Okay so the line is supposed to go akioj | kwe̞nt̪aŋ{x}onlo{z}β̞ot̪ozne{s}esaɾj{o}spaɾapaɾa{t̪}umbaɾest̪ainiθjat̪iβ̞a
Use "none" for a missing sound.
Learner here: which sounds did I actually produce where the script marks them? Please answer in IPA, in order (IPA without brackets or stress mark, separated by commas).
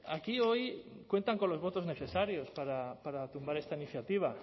k, z, θ, o, t̪